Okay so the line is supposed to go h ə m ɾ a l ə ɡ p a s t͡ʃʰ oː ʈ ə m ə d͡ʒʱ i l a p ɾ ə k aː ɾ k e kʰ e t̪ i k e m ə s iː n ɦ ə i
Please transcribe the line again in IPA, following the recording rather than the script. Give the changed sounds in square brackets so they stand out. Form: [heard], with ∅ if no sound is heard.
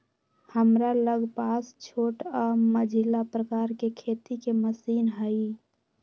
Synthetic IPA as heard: h ə m ɾ a l ə ɡ p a s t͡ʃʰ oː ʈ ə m ə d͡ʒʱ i l a p ɾ ə k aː ɾ k e kʰ e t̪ i k e m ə s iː n ɦ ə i